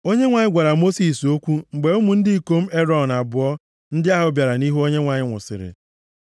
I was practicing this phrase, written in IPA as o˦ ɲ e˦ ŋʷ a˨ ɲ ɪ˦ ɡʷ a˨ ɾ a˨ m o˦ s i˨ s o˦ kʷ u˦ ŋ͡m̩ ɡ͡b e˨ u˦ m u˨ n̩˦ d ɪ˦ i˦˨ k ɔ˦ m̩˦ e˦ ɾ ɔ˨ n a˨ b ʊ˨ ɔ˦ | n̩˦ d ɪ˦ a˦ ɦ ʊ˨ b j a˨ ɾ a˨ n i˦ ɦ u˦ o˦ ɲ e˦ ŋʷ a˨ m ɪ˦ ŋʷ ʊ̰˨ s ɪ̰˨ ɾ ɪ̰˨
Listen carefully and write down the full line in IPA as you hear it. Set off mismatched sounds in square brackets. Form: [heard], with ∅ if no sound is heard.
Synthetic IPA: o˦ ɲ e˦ ŋʷ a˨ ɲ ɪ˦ ɡʷ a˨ ɾ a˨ m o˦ s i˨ s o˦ kʷ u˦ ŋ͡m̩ ɡ͡b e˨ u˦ m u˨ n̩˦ d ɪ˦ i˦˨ k [o˦] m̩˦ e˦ ɾ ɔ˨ n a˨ b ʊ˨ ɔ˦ | n̩˦ d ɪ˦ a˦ ɦ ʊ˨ b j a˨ ɾ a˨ n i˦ ɦ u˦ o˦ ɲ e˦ ŋʷ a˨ [ɲ] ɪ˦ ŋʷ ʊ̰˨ s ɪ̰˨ ɾ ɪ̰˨